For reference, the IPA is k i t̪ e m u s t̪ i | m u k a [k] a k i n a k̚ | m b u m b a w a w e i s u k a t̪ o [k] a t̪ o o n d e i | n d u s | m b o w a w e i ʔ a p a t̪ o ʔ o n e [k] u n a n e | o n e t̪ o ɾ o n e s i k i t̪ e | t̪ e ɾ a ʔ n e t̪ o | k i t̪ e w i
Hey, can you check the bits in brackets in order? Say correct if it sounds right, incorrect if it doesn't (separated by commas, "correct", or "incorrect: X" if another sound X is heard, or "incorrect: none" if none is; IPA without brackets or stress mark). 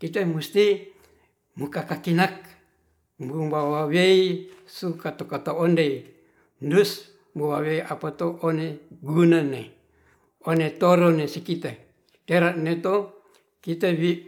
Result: correct, correct, incorrect: ɡ